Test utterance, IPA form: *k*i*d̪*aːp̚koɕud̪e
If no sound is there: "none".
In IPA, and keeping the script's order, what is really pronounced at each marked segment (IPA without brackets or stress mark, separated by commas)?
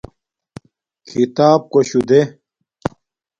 kʰ, t̪